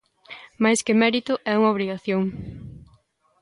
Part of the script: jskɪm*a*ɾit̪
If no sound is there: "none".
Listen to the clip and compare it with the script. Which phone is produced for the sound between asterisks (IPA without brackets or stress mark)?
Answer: ɛ